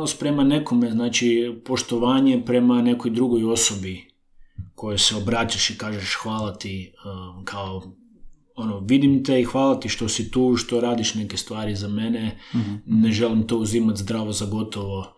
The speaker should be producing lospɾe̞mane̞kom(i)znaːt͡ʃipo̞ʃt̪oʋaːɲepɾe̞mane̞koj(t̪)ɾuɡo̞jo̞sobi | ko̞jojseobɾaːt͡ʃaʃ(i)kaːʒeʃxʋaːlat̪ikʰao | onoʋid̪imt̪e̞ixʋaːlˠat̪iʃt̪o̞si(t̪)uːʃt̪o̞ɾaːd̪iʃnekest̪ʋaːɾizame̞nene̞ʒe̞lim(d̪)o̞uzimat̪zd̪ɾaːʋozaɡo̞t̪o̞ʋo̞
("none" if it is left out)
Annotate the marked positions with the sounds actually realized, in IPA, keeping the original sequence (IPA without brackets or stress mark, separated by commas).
e, d̪, i, t̪, t̪